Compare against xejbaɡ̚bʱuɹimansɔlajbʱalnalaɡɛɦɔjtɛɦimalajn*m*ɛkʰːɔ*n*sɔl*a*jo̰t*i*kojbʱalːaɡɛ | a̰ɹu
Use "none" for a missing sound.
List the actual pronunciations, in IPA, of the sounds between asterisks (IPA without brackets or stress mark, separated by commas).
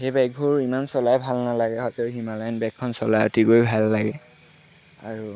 b, n, a, i